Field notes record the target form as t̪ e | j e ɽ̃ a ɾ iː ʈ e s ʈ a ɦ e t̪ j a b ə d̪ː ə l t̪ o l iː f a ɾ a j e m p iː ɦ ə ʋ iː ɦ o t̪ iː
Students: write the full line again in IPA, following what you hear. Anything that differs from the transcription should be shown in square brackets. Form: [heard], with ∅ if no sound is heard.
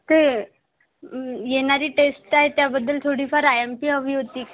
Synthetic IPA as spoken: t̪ e | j e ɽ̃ a ɾ iː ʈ e s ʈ a ɦ e t̪ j a b ə d̪ː ə l [t̪ʰ] o [ɽ] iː f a ɾ a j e m p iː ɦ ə ʋ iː ɦ o t̪ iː